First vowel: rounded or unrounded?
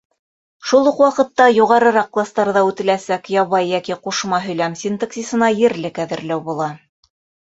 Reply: rounded